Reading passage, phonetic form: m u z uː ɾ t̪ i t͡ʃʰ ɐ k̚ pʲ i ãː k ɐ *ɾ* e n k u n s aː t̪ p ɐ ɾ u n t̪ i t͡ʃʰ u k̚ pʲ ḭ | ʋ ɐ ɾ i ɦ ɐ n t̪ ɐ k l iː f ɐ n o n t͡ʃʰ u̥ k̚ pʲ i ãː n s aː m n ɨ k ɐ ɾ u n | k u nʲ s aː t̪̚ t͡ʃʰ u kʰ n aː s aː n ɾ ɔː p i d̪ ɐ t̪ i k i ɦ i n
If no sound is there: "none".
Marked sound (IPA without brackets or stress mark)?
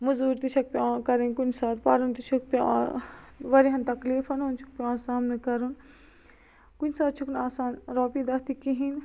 ɾ